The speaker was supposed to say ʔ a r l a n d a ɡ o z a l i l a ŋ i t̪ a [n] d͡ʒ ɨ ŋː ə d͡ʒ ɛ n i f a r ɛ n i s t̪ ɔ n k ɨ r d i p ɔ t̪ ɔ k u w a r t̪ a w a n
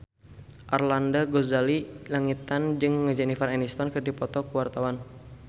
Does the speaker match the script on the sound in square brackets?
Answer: yes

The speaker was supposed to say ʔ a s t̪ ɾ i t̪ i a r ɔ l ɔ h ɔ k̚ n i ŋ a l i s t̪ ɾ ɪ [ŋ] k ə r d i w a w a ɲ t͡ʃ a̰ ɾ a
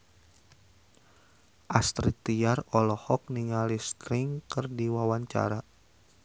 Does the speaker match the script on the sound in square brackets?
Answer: yes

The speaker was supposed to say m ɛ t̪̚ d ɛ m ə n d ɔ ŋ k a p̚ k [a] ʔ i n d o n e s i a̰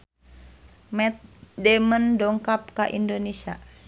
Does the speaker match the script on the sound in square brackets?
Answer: yes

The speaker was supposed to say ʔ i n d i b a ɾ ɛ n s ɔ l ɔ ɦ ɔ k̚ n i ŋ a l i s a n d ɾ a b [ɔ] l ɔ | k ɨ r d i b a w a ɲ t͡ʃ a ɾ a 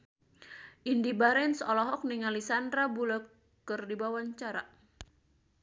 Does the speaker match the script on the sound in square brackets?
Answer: no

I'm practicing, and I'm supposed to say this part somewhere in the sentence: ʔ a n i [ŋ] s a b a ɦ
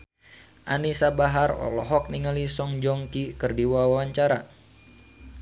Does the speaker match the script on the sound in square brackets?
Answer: no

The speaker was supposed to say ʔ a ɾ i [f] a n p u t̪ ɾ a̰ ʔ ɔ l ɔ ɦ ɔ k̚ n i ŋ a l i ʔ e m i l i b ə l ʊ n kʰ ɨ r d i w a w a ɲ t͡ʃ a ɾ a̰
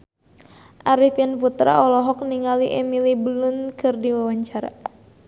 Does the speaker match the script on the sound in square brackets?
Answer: yes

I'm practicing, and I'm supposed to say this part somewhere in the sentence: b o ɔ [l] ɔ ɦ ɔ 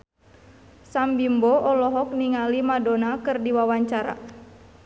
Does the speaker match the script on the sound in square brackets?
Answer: yes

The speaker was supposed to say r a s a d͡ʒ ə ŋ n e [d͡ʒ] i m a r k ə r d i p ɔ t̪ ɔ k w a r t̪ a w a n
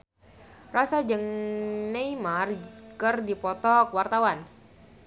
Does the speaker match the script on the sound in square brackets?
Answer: no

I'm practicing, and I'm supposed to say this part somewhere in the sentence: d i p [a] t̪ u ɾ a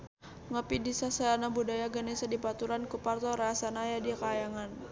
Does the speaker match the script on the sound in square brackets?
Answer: yes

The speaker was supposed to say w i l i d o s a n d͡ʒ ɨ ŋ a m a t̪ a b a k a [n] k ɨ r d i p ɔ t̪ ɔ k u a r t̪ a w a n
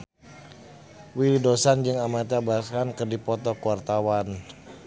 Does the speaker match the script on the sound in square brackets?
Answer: yes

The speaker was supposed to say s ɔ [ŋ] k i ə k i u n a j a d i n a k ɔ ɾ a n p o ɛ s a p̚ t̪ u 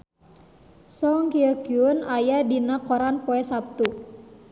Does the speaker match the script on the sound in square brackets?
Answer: yes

